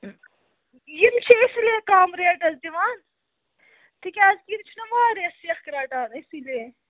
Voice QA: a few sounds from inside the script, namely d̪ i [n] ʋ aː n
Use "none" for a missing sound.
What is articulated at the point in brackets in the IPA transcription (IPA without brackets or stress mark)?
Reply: none